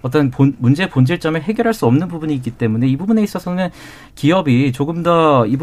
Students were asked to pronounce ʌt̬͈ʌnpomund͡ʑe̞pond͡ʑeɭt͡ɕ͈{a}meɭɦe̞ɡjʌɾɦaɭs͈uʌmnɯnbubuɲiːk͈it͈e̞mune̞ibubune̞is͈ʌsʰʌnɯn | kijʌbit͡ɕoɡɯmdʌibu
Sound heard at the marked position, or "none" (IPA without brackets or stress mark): ʌ